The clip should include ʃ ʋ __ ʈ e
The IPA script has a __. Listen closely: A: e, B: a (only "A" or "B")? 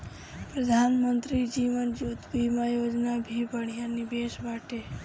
B